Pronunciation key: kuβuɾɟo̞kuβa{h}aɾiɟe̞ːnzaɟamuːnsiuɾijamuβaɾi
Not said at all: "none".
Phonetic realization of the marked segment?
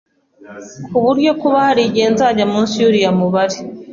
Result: h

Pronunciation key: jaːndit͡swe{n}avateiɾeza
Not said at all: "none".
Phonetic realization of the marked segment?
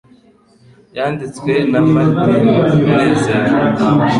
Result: n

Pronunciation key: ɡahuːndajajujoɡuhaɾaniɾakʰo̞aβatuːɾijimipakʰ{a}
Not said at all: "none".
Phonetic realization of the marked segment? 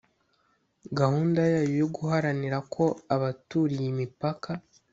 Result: a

